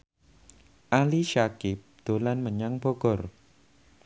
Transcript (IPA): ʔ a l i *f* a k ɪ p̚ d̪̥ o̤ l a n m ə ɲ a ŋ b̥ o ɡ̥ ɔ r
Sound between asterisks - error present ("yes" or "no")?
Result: yes